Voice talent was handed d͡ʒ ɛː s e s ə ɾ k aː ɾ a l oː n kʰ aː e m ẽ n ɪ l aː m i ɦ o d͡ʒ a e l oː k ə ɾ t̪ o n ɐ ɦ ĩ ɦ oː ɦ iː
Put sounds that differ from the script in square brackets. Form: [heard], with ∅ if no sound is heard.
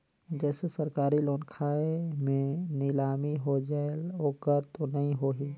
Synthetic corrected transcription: d͡ʒ ɛː s e s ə ɾ k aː ɾ [i] l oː n kʰ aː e m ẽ n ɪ l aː m i ɦ o d͡ʒ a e l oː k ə ɾ t̪ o n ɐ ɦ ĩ ɦ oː ɦ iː